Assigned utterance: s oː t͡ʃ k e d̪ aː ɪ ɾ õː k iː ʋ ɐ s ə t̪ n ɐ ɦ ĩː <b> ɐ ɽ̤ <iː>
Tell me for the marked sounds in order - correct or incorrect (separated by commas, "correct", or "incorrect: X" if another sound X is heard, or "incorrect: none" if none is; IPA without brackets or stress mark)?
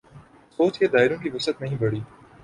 correct, correct